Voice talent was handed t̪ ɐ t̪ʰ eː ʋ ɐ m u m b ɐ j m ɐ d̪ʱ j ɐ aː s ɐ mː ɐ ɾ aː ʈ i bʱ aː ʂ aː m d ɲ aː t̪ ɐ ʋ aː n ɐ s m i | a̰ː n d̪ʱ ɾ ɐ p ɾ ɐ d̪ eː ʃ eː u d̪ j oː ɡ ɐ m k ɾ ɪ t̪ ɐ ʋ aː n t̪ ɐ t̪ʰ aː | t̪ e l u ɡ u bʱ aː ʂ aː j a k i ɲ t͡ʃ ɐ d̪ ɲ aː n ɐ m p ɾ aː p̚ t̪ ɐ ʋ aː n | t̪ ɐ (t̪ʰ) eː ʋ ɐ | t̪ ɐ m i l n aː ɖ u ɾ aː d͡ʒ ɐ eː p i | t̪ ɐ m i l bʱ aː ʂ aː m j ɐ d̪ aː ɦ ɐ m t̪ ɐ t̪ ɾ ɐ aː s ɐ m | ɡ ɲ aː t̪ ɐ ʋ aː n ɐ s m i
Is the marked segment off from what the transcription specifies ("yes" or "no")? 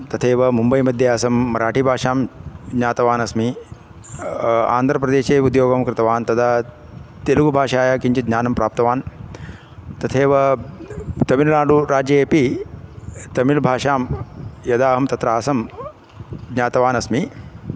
no